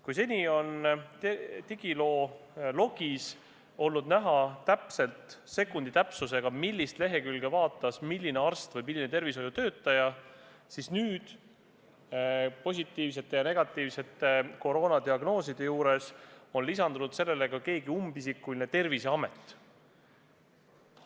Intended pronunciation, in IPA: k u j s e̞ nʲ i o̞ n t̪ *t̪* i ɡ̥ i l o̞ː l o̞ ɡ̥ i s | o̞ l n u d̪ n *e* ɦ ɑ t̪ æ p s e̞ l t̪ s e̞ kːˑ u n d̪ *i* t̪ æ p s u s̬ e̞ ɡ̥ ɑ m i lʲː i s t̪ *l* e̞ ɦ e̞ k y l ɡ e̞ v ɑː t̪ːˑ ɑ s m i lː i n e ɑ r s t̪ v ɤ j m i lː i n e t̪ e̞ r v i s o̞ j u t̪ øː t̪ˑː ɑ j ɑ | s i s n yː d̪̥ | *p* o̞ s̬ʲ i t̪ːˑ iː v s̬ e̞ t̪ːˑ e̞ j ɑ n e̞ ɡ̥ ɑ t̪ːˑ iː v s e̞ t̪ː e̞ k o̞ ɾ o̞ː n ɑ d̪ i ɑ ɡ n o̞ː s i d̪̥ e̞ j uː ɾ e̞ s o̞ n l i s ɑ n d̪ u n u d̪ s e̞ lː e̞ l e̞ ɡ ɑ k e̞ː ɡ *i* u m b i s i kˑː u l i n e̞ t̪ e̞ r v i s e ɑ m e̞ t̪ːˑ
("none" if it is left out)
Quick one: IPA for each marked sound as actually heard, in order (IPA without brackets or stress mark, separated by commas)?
t̪, æ, i, l, p, i